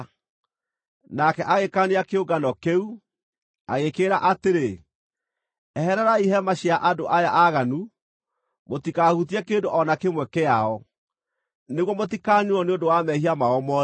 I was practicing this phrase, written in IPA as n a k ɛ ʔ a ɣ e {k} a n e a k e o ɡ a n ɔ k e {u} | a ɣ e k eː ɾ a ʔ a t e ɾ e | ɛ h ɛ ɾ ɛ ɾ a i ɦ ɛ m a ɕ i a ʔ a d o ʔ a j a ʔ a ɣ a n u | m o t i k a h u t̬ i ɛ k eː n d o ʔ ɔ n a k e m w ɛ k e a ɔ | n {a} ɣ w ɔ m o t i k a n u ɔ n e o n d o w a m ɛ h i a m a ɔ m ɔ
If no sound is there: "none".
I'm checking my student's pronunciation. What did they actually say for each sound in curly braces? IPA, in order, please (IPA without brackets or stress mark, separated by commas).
k, u, e